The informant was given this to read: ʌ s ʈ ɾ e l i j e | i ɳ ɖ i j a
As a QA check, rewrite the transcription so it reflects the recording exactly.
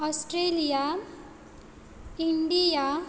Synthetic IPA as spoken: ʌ s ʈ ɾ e l i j a | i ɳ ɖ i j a